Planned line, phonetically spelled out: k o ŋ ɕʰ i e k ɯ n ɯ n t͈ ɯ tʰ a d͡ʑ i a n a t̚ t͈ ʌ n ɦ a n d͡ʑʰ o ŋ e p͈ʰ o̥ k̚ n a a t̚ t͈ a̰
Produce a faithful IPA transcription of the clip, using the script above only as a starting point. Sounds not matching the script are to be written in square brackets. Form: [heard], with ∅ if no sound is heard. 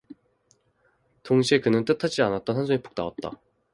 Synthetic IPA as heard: [t] o ŋ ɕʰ i e k ɯ n ɯ n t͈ ɯ tʰ a d͡ʑ i a n a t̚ t͈ ʌ n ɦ a n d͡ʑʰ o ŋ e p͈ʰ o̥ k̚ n a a t̚ t͈ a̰